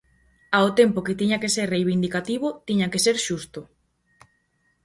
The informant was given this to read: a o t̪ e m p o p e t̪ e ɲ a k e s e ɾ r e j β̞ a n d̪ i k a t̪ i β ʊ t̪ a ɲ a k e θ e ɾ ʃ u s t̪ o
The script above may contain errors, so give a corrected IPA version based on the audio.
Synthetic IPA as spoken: a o t̪ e m p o k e t̪ i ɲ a k e s e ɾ r e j β̞ i n d̪ i k a t̪ i β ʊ t̪ i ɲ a k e s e ɾ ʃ u s t̪ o